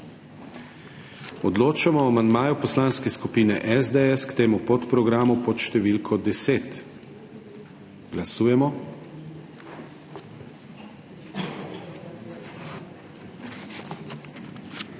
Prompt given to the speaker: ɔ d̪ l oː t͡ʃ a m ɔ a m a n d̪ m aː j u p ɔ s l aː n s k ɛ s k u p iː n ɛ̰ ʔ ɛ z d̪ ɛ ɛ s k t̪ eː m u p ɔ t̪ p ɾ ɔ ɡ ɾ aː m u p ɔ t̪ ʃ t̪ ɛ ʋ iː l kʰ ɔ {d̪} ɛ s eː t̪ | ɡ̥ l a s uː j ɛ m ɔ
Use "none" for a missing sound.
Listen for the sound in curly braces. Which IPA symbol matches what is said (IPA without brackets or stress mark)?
d̪